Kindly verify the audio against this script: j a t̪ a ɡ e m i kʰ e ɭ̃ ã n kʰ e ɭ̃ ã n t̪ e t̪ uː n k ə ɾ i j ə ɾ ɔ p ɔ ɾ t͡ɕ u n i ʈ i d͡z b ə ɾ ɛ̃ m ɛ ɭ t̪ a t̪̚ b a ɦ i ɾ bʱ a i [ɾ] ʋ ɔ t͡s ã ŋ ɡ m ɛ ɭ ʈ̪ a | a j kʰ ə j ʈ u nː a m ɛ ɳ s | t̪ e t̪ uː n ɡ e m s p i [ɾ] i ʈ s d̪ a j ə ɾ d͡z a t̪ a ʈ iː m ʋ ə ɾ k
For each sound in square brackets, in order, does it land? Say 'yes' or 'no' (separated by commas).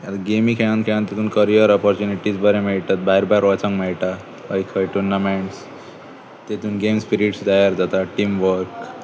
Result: yes, yes